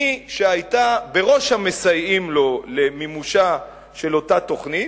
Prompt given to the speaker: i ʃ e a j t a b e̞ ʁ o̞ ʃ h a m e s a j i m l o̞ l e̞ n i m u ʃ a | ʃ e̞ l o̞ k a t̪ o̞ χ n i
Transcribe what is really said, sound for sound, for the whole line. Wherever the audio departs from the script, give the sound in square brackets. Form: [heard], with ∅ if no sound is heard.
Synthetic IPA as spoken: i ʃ e a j t a b e̞ ʁ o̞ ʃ h a m e s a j i m l o̞ l e̞ [m] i m u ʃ a | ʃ e̞ l o̞ [t] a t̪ o̞ χ n i